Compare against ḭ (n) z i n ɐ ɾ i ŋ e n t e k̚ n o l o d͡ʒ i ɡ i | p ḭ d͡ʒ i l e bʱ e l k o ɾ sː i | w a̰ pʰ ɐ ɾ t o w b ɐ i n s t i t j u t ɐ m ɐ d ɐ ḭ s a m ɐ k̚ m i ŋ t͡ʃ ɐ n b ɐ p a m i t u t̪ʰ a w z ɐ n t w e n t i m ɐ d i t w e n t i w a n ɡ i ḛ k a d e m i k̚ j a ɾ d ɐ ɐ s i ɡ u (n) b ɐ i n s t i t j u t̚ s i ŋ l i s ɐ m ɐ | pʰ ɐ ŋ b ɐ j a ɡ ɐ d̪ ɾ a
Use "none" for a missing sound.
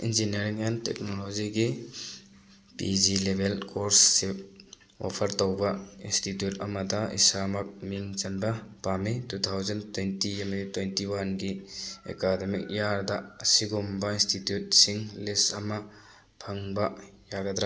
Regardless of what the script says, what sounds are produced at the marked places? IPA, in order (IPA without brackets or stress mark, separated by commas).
n, m